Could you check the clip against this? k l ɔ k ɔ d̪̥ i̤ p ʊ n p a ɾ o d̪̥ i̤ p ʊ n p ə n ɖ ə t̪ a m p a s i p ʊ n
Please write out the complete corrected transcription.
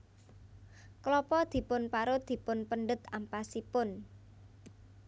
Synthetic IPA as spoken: k l ɔ p ɔ d̪̥ i̤ p ʊ n p a ɾ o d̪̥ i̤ p ʊ n p ə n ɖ ə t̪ a m p a s i p ʊ n